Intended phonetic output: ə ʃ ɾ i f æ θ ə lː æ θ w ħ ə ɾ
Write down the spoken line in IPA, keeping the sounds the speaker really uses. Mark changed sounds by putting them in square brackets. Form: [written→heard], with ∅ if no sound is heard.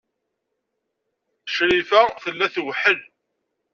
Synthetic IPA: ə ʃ ɾ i f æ θ ə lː æ θ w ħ ə [ɾ→l]